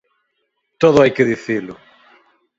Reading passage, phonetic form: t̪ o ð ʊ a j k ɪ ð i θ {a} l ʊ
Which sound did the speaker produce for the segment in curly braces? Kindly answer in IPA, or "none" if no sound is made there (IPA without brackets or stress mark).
i